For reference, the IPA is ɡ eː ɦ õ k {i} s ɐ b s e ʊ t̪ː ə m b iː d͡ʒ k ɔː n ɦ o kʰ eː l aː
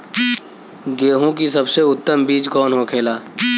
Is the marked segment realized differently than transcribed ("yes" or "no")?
no